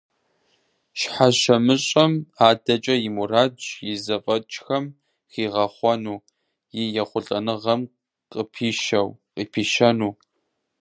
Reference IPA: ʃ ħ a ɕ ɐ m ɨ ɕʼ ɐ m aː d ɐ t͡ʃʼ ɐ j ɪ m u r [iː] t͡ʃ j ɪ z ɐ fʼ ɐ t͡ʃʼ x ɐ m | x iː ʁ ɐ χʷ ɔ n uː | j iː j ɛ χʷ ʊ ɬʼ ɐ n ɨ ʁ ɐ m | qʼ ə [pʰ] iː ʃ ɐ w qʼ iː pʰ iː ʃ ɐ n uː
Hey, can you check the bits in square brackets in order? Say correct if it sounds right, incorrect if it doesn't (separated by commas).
incorrect, correct